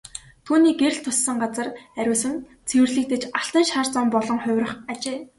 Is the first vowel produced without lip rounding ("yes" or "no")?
no